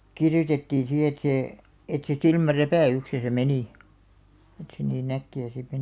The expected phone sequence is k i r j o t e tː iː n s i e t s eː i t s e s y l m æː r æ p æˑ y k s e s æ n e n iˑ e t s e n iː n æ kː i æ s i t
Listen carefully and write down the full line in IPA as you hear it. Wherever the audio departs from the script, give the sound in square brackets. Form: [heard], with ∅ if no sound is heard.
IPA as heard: k i r j o t e tː iː n s i e t s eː [e] t s e s [i] l m [æ] r æ p æˑ y k s e s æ [m] e n iˑ e t s e n iː n æ kː i æ s i t